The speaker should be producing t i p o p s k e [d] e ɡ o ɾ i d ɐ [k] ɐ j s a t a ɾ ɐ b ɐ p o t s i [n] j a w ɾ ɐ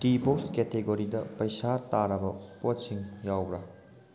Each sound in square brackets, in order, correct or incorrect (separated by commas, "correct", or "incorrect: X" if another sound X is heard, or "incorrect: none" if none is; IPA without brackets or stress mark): incorrect: t, incorrect: p, incorrect: ŋ